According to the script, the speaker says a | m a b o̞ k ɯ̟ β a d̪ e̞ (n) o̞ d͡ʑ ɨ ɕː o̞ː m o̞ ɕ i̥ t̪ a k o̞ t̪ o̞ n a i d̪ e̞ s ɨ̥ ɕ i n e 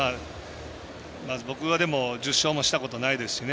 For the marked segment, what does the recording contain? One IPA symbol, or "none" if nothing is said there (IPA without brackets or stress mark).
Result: m